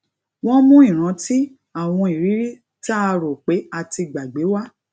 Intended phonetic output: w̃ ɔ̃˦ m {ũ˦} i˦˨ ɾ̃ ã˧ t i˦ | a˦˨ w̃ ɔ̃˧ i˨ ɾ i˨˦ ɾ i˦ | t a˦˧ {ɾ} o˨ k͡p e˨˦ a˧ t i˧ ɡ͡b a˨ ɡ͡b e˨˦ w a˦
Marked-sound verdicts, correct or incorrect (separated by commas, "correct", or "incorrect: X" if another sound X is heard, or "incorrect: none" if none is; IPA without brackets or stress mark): correct, correct